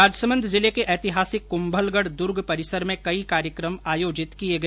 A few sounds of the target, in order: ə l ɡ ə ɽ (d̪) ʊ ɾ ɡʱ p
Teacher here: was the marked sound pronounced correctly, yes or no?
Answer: yes